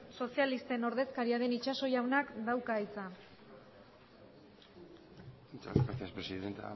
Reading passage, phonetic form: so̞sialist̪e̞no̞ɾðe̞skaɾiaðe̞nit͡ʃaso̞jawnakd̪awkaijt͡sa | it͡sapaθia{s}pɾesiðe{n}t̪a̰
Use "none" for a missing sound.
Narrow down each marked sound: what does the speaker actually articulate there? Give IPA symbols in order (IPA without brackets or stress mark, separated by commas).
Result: s, n